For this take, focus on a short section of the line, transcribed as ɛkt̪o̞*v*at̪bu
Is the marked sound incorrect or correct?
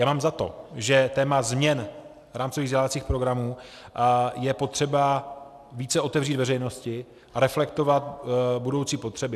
correct